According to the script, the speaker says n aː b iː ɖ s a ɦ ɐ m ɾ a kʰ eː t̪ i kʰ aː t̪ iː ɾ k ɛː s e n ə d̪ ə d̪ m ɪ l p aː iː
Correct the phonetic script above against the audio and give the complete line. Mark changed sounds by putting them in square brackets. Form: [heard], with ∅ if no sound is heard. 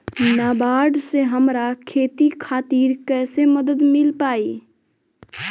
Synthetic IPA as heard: n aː b [aː] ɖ s [e] ɦ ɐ m ɾ a kʰ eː t̪ i kʰ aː t̪ iː ɾ k ɛː s e [m] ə d̪ ə d̪ m ɪ l p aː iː